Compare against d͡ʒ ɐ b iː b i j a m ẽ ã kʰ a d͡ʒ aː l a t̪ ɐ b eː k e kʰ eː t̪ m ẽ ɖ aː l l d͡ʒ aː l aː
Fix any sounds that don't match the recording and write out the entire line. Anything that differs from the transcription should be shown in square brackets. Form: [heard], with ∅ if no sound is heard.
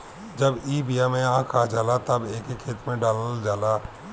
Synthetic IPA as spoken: d͡ʒ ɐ b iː b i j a m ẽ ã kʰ a d͡ʒ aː l a t̪ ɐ b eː k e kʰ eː t̪ m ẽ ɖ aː l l d͡ʒ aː l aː